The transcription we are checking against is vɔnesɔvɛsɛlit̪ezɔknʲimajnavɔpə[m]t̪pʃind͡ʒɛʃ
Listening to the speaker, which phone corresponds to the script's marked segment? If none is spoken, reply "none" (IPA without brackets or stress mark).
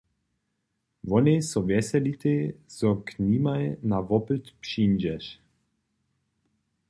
none